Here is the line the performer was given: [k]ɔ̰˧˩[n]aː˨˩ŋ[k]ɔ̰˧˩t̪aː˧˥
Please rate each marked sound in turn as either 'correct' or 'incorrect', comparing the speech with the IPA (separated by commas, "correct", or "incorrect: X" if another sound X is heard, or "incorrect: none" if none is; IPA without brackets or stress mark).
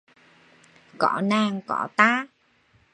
correct, correct, correct